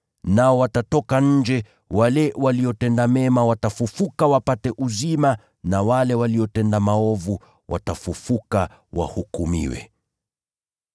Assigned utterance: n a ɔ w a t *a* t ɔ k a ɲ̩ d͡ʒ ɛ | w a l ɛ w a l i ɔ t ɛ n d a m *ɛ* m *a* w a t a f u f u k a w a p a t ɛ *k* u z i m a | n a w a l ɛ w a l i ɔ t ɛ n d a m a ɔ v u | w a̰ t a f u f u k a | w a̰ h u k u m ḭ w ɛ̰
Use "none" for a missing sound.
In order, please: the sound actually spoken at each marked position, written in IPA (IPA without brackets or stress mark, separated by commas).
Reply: a, ɛ, a, ʔ